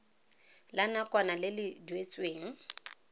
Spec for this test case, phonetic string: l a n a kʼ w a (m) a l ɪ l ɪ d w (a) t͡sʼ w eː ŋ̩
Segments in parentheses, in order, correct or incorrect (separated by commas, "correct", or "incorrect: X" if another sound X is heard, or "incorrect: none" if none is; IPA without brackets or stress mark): incorrect: n, incorrect: e